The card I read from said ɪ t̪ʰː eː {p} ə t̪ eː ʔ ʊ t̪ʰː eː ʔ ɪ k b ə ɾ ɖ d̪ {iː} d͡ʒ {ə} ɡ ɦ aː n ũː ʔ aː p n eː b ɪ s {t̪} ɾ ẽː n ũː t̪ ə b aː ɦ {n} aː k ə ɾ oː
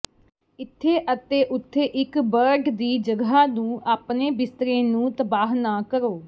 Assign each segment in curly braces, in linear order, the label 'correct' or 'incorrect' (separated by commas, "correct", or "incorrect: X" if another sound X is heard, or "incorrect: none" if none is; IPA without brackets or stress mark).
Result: incorrect: ʔ, correct, correct, correct, correct